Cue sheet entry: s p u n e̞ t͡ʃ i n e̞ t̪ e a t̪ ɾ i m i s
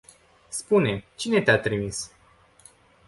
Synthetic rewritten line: s p u n e̞ t͡ʃ i n e̞ t̪ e a t̪ ɾ i m i s